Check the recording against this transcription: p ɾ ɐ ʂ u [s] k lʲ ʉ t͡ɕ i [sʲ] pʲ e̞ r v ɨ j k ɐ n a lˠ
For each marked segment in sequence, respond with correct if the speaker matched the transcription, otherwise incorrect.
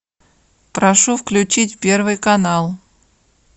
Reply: incorrect, incorrect

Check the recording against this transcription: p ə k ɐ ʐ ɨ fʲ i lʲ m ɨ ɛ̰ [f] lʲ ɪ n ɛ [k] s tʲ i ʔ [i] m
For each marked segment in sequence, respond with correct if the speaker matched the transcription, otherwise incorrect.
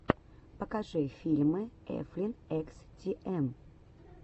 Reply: correct, correct, incorrect

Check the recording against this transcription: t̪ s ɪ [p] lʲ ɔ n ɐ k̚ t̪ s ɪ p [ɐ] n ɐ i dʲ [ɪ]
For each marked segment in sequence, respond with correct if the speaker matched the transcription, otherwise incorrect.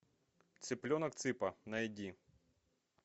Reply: correct, correct, incorrect

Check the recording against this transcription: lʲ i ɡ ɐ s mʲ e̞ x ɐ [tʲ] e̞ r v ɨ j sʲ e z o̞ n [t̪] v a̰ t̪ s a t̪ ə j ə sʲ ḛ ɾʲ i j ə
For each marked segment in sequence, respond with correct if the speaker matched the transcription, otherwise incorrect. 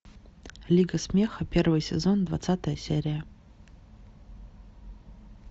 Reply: incorrect, incorrect

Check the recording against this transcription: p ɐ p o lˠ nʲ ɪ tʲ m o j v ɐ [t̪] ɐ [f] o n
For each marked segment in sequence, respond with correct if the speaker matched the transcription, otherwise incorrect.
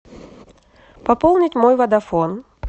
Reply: incorrect, correct

